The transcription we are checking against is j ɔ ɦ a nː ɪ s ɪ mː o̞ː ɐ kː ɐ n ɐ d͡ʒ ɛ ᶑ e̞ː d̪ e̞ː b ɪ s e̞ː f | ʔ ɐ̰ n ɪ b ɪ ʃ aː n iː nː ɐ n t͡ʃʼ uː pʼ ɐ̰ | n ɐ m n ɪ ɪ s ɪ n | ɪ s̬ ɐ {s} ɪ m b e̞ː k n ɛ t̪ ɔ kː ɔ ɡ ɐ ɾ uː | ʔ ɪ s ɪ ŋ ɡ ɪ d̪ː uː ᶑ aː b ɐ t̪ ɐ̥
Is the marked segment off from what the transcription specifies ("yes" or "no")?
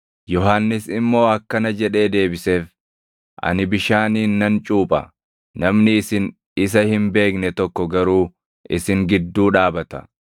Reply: yes